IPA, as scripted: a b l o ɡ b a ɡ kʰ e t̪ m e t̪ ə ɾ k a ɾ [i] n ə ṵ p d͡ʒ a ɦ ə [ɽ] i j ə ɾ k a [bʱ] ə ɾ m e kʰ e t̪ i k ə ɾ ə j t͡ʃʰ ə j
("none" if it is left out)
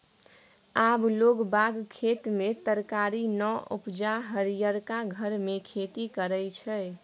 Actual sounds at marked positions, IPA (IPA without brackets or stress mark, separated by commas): i, ɾ, ɡʱ